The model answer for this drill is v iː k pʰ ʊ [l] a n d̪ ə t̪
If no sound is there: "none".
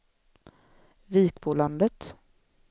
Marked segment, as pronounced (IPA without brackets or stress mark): l